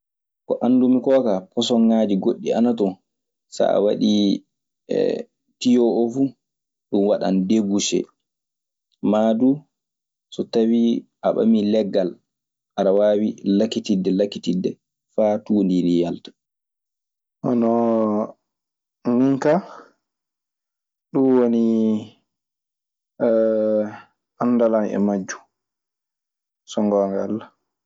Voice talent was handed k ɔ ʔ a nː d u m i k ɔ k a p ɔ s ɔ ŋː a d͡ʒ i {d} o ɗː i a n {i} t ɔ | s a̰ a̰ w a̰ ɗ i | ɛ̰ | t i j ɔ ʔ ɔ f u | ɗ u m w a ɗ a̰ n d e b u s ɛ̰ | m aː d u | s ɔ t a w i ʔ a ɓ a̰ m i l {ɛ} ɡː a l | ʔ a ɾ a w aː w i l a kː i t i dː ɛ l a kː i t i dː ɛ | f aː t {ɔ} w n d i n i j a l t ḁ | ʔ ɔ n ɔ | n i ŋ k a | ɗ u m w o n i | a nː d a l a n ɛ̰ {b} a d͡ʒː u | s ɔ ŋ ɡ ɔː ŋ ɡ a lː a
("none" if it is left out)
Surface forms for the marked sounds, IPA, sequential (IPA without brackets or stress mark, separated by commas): ɡ, a, ɛ, u, m